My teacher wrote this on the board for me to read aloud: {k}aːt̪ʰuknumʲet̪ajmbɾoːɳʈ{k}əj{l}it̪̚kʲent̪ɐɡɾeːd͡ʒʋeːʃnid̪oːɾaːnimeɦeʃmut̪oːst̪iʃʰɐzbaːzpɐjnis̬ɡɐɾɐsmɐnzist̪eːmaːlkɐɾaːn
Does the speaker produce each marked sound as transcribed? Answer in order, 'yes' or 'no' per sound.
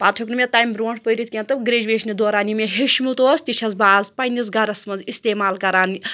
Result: no, no, no

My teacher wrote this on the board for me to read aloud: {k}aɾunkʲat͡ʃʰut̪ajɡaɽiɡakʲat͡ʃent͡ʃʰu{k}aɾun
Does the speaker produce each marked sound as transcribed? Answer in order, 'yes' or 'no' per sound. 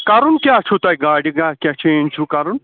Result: yes, yes

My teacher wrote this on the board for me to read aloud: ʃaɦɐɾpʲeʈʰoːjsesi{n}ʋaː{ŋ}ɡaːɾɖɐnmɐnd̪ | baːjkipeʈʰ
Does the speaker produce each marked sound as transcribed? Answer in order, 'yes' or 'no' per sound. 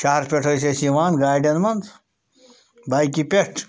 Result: no, no

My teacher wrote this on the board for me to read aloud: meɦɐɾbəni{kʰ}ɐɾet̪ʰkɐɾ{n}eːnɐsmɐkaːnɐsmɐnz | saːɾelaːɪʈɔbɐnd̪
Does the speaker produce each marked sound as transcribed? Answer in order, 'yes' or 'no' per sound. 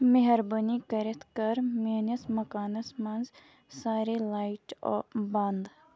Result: no, no

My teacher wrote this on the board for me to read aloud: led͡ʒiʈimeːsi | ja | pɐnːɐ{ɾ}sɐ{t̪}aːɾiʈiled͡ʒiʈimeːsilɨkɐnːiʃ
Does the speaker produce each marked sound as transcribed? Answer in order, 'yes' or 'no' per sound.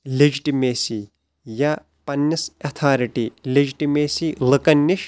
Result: no, no

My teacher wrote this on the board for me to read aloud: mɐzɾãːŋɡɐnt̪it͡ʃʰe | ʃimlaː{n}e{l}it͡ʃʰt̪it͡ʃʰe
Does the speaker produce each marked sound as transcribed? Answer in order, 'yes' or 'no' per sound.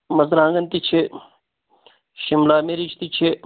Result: no, no

